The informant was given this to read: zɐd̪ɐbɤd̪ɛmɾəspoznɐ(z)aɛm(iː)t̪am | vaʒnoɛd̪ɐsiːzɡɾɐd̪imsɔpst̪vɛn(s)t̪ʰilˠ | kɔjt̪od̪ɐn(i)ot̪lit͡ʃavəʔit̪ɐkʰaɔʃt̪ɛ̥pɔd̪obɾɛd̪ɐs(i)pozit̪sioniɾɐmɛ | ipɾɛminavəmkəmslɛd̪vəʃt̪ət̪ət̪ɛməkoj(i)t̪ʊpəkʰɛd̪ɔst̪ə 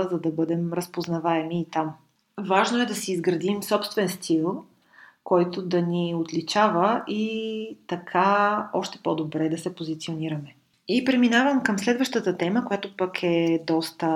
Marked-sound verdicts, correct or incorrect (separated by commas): incorrect, correct, correct, correct, incorrect, incorrect